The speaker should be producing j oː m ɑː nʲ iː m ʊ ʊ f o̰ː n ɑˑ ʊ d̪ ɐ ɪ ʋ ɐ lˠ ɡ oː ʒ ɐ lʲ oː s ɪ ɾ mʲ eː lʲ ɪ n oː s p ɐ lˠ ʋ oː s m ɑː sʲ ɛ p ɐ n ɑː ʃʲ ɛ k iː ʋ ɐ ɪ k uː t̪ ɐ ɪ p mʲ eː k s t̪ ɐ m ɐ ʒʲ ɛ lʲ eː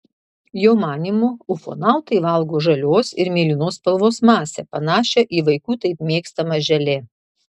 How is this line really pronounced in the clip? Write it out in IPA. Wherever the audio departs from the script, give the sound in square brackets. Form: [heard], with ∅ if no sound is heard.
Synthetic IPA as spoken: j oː m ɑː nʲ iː m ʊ ʊ f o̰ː n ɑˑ ʊ [t̪] ɐ ɪ ʋ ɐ lˠ ɡ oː ʒ ɐ lʲ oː s ɪ ɾ mʲ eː lʲ ɪ n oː s p ɐ lˠ ʋ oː s m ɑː sʲ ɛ p ɐ n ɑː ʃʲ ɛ [ʔ] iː ʋ ɐ ɪ k uː t̪ ɐ ɪ p mʲ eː k s t̪ ɐ m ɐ ʒʲ ɛ lʲ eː